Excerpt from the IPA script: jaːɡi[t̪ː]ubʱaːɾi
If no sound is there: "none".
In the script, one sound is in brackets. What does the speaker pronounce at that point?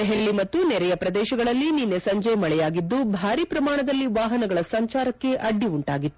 d̪ː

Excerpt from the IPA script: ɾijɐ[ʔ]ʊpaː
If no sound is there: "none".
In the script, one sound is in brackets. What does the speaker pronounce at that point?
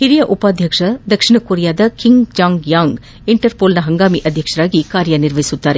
ʔ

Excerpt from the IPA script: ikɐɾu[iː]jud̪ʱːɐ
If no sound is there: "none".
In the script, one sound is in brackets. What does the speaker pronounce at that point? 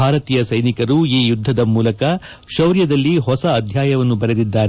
iː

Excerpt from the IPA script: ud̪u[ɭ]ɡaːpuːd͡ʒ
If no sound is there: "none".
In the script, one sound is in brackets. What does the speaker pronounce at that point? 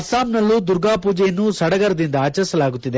ɾ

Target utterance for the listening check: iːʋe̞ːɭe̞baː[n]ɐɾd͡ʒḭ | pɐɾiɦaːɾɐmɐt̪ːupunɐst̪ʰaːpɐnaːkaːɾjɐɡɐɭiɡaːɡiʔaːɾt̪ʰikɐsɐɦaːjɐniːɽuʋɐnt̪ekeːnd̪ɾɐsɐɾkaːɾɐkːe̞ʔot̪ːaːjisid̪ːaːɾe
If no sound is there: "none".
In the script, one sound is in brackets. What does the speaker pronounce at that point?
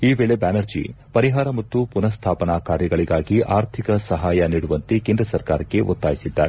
n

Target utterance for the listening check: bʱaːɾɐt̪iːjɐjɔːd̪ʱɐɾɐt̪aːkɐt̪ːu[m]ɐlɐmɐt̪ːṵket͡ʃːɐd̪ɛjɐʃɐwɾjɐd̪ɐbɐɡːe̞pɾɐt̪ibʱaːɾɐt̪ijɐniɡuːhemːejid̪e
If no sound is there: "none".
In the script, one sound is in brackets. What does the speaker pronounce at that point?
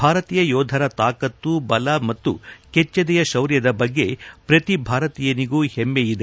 b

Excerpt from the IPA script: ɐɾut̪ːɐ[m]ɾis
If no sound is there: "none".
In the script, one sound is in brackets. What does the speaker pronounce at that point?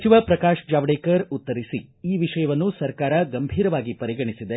none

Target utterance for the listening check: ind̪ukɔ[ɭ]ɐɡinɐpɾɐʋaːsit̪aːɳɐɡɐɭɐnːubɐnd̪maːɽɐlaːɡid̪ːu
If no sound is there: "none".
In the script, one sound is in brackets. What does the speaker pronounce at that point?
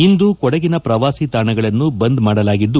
ɽ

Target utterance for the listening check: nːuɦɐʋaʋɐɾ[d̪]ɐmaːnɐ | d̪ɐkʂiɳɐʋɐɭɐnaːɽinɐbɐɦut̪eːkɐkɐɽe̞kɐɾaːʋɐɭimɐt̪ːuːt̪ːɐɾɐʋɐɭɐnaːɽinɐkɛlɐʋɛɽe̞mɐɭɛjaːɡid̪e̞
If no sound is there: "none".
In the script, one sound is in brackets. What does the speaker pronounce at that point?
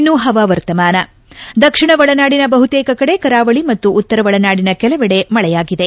t̪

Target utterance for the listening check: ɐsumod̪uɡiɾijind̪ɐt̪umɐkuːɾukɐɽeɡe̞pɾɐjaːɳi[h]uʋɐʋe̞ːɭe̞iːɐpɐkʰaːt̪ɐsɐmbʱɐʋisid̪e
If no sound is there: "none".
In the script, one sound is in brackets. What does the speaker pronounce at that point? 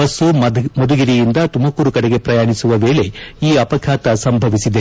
s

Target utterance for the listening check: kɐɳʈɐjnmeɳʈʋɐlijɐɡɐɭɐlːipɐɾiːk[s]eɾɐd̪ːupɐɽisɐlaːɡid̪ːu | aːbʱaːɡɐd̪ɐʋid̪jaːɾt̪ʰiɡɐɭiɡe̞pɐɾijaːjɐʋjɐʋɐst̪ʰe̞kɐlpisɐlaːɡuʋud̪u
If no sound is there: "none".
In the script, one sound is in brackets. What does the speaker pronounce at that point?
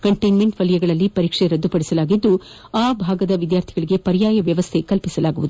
ʂ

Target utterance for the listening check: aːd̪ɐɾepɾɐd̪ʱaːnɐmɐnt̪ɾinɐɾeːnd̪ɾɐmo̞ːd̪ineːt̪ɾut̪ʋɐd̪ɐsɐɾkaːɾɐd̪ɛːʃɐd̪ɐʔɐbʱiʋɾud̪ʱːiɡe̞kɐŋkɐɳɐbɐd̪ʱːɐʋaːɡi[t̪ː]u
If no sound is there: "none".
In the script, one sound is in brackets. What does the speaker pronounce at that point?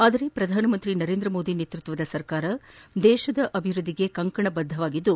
d̪ː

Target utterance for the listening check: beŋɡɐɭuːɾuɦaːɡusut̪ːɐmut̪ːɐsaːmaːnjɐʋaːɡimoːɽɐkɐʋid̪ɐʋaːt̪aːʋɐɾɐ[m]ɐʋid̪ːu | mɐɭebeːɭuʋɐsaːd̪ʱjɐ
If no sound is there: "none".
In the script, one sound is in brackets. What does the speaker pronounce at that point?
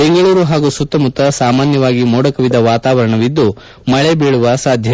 ɳ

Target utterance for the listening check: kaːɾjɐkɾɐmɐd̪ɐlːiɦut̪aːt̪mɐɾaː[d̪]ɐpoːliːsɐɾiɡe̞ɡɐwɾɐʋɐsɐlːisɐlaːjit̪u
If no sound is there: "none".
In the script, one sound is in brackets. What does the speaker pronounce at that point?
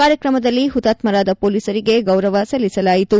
d̪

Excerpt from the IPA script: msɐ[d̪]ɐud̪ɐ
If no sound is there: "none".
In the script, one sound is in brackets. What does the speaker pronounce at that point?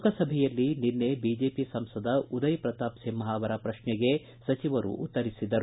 d̪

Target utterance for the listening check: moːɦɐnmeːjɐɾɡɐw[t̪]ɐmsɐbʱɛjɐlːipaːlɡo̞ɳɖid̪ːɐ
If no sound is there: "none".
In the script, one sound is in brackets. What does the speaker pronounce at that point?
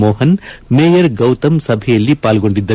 t̪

